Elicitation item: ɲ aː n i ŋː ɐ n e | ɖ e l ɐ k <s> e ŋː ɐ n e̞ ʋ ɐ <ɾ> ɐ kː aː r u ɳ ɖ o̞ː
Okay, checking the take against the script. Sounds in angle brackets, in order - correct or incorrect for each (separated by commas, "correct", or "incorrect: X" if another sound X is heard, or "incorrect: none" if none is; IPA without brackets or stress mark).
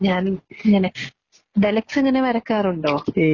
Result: correct, correct